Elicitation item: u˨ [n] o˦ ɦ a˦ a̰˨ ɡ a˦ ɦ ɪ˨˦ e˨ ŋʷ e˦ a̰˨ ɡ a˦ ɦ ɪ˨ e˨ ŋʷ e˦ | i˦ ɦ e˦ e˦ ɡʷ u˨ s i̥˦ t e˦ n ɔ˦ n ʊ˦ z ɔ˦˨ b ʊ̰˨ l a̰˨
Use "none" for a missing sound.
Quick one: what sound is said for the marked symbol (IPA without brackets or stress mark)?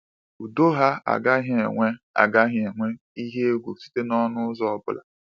d